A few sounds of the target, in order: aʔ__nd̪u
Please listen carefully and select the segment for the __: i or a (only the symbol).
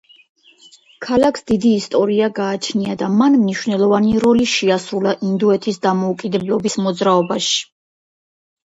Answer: i